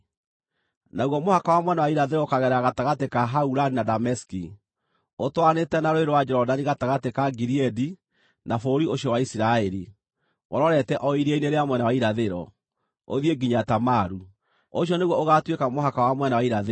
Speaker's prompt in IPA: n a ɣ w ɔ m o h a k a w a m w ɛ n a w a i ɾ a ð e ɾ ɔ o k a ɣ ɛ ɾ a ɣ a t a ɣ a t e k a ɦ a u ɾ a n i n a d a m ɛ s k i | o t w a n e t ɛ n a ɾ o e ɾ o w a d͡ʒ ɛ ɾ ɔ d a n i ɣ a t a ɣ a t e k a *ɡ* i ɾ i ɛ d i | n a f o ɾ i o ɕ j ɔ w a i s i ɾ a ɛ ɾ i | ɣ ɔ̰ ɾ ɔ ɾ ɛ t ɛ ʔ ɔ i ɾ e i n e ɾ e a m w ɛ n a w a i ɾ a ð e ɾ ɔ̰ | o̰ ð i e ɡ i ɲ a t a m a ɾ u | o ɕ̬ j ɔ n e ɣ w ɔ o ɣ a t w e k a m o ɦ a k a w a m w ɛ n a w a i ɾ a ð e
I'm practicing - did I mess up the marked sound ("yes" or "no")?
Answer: no